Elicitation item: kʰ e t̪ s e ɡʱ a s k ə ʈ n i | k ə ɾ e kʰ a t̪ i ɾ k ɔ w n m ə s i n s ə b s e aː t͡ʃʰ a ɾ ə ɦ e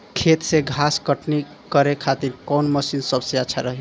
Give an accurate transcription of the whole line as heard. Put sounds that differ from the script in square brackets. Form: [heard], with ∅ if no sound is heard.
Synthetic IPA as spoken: kʰ e t̪ s e ɡʱ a s k ə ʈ n i | k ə ɾ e kʰ a t̪ i ɾ k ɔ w n m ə s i n s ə b s e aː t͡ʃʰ a ɾ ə ɦ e